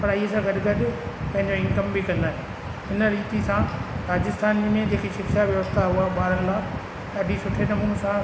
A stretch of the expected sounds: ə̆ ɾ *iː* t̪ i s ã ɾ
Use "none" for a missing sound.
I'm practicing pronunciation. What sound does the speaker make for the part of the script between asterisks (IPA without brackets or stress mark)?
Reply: iː